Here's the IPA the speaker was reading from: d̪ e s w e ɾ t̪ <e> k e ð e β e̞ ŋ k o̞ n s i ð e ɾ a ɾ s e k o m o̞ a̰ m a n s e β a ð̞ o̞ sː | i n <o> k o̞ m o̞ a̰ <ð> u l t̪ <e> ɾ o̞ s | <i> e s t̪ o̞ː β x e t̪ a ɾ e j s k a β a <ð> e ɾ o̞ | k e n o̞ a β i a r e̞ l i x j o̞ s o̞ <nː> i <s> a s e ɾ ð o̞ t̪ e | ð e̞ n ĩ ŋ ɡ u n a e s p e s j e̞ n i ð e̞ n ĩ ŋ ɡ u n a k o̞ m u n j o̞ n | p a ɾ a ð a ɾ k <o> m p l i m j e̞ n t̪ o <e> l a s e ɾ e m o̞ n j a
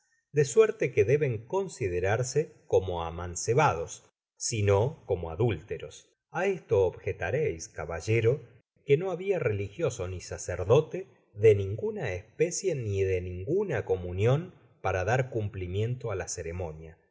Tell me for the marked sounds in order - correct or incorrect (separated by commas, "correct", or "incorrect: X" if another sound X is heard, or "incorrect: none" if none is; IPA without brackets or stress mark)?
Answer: correct, correct, correct, correct, incorrect: a, incorrect: ʒ, incorrect: n, correct, incorrect: u, incorrect: a